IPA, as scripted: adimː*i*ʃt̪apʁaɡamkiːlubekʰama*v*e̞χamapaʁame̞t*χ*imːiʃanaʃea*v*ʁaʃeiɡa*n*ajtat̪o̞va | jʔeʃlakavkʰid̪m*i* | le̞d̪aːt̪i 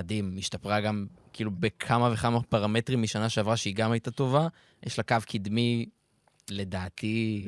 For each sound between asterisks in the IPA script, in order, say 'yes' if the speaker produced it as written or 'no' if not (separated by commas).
yes, yes, no, yes, no, yes